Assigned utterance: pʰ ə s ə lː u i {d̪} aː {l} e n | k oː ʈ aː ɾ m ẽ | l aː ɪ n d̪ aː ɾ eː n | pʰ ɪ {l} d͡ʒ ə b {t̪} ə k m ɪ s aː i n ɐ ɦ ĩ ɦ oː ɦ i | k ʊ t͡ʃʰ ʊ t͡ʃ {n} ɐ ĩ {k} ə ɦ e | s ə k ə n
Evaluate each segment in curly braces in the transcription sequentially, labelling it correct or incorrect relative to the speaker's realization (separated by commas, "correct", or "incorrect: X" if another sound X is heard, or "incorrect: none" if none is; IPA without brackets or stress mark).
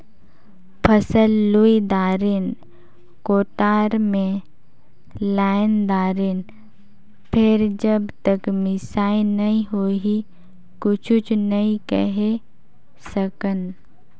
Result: correct, incorrect: ɾ, incorrect: ɾ, correct, correct, correct